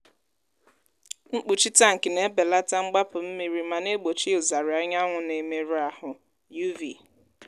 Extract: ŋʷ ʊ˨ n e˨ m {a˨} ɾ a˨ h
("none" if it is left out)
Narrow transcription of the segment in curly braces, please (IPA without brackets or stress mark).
e˨